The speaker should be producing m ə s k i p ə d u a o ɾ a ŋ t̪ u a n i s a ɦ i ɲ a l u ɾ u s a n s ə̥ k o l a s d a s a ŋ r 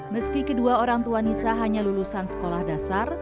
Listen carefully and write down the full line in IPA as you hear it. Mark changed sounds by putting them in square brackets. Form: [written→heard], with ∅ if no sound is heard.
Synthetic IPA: m ə s k i [p→k] ə d u a o ɾ a ŋ t̪ u a n i s a ɦ [i→a] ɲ a l u [ɾ→l] u s a n s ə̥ k o l a [s→h] d a s a [ŋ→∅] r